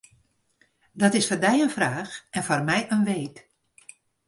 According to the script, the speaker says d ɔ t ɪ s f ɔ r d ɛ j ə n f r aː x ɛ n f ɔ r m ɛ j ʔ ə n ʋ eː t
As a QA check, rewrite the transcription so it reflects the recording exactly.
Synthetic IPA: d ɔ t ɪ s f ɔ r d ɛ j ə n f r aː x ɛ n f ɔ r m ɛ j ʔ ə n ʋ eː t